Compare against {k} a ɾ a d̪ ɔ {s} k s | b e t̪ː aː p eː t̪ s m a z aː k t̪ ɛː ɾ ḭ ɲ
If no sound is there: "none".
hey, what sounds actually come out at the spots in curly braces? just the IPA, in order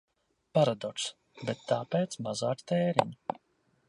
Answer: p, none

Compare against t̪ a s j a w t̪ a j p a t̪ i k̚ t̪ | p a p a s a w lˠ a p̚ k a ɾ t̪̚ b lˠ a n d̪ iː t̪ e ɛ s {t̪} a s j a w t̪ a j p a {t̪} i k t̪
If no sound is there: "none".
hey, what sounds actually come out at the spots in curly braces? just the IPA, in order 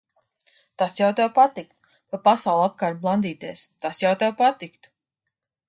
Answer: t̪, t̪

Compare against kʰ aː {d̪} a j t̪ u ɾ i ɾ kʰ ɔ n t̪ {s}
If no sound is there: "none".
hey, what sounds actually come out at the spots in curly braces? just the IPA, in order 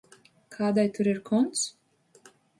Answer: d̪, s

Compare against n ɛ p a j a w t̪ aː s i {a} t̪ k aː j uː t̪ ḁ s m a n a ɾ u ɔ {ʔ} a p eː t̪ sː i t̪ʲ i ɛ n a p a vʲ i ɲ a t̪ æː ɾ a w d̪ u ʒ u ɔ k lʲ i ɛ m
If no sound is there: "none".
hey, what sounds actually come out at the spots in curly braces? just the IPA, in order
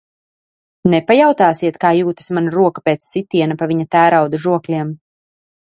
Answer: ɛ, k

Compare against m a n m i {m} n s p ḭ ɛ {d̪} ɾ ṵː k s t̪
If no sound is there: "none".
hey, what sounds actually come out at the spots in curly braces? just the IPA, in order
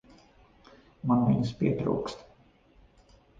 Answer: none, t̪

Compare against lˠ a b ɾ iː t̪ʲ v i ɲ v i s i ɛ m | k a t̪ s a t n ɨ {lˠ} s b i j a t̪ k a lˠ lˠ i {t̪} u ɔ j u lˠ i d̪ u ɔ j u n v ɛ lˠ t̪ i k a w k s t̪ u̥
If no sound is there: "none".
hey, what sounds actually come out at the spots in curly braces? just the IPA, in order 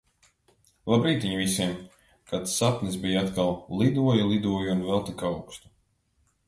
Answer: none, d̪

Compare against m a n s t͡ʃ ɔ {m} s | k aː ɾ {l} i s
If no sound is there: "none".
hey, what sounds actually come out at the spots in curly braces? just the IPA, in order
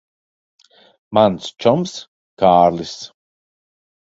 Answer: m, l

